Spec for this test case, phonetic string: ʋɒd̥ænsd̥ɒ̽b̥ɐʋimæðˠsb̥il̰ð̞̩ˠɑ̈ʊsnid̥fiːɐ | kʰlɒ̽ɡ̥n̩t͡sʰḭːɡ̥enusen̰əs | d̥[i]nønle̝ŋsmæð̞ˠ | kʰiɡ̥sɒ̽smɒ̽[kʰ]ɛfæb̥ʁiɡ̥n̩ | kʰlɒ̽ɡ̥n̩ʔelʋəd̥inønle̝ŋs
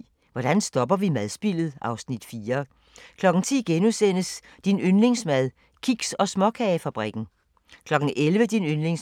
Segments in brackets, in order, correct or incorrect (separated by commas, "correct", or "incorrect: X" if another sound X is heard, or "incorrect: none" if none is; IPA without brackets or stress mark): correct, correct